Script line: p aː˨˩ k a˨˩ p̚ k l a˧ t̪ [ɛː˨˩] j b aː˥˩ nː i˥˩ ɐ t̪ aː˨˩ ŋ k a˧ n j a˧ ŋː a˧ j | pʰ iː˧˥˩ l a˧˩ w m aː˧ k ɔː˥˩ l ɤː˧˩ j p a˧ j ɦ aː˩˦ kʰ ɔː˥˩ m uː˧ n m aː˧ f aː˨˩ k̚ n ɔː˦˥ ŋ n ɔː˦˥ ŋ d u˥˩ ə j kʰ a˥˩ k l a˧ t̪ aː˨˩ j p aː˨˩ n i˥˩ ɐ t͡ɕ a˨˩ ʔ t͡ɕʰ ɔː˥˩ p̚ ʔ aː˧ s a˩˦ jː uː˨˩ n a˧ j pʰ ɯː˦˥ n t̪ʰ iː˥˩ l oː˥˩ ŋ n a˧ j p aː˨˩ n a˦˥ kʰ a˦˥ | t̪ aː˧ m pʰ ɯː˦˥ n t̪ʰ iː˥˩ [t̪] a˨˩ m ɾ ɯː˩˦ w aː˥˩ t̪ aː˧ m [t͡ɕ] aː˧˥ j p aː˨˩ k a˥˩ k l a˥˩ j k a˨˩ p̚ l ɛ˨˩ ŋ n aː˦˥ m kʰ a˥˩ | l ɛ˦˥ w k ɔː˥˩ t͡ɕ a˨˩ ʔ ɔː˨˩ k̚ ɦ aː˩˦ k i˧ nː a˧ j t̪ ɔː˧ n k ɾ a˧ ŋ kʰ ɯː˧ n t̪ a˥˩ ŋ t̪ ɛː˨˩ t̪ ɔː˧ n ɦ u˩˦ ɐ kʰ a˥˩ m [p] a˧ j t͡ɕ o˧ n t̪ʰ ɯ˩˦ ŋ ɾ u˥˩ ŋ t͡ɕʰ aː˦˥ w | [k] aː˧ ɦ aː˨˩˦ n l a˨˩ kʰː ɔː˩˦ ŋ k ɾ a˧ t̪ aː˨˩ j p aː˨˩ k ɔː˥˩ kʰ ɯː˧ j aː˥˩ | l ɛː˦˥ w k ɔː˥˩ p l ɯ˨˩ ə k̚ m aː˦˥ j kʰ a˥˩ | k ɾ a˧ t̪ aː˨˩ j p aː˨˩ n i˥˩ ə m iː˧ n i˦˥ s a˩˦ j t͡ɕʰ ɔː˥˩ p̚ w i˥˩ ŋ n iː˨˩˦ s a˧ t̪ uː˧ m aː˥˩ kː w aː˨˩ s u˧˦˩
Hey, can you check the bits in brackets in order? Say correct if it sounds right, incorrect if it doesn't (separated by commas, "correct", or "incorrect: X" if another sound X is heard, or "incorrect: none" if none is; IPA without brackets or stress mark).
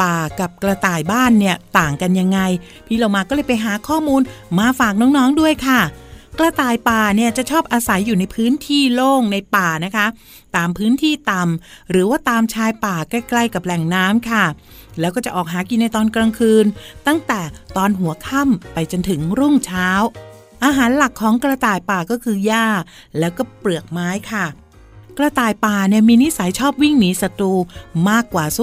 incorrect: aː˨˩, correct, incorrect: t͡ɕʰ, correct, incorrect: ʔ